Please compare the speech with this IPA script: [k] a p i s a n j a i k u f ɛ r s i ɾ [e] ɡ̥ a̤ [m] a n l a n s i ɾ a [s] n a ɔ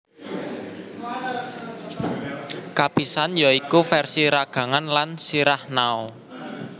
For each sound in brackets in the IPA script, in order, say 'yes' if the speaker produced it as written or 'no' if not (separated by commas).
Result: yes, no, no, no